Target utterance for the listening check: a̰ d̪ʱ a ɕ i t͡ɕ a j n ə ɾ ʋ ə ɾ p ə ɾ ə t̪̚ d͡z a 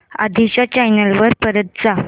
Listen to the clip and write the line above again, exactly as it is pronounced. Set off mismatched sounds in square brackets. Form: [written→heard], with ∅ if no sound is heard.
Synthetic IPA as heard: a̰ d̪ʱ [a→i] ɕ [i→a] t͡ɕ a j n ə [ɾ→l] ʋ ə ɾ p ə ɾ ə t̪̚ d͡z a